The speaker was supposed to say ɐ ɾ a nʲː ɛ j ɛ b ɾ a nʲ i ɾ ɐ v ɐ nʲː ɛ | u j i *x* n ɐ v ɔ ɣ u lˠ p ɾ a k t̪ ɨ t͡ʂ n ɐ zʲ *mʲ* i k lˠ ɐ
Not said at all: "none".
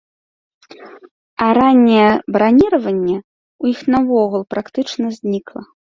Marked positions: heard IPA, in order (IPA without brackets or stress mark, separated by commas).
x, nʲ